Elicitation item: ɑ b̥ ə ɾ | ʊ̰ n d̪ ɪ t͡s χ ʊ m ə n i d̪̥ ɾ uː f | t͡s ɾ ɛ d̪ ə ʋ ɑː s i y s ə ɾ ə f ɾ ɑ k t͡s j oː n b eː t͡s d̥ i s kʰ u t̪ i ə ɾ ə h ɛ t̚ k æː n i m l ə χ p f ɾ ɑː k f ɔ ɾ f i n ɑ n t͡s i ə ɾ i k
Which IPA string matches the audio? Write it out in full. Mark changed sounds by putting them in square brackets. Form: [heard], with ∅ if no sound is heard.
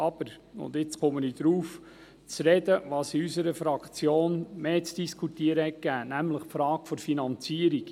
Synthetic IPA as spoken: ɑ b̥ ə ɾ | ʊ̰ n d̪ ɪ t͡s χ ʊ m ə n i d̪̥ ɾ uː f | t͡s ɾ ɛ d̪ ə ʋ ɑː s i y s ə ɾ ə f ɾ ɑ k t͡s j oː n [m] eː t͡s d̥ i s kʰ u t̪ i ə ɾ ə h ɛ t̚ k æː n [æ] m l ə χ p f ɾ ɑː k f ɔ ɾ f i n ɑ n t͡s i ə ɾ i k